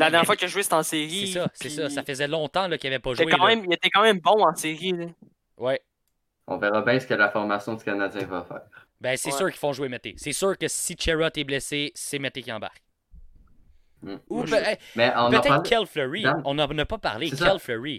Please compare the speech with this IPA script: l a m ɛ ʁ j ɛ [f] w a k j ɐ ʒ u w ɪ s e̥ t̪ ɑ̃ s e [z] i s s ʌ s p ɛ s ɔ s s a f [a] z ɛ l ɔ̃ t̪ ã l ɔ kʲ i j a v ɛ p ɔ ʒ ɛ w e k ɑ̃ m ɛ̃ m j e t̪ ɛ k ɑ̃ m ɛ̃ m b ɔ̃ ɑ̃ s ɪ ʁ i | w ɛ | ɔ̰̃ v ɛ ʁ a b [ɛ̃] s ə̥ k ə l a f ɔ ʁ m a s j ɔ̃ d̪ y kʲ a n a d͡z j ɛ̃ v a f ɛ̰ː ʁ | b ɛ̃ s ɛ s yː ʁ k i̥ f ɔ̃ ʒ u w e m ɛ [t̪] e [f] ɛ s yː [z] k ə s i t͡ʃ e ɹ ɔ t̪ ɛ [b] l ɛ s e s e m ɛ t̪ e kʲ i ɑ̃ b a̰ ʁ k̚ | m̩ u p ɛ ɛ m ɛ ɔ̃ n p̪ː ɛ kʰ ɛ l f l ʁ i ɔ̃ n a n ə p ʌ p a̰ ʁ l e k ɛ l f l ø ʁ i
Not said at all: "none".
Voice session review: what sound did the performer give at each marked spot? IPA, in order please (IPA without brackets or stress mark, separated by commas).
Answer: f, ʁ, ə, ɛ̃, t̪, s, ʁ, b